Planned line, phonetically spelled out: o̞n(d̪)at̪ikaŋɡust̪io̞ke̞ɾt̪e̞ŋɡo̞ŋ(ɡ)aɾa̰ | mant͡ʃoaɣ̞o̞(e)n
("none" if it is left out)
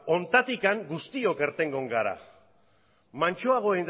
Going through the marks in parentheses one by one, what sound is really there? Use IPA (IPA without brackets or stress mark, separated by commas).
t̪, ɡ, e